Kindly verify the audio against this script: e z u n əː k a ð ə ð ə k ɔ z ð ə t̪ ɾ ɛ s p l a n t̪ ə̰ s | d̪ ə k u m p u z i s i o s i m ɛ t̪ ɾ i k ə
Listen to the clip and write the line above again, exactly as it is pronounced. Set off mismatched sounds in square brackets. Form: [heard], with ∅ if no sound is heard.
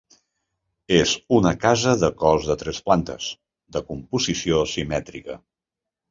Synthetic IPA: e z u n [ə] k a [z] ə ð ə k ɔ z ð ə t̪ ɾ ɛ s p l a n t̪ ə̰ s | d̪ ə k u m p u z i s i o s i m ɛ t̪ ɾ i k ə